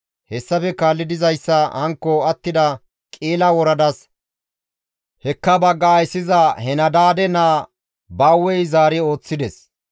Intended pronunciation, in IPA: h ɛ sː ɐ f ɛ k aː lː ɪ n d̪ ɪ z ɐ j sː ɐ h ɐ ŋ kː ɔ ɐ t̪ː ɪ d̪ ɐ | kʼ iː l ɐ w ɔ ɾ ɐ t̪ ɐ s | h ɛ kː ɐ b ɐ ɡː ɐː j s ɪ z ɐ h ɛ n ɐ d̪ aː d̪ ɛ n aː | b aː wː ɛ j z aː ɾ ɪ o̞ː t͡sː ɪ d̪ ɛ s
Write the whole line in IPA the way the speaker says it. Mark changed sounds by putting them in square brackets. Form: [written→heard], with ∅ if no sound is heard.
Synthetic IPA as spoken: h ɛ sː ɐ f ɛ k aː lː ɪ [n→∅] d̪ ɪ z ɐ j sː ɐ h ɐ ŋ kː ɔ ɐ t̪ː ɪ d̪ ɐ | kʼ iː l ɐ w ɔ ɾ ɐ [t̪→d̪] ɐ s | h ɛ kː ɐ b ɐ ɡː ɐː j s ɪ z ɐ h ɛ n ɐ d̪ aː d̪ ɛ n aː | b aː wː ɛ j z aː ɾ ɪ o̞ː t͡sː ɪ d̪ ɛ s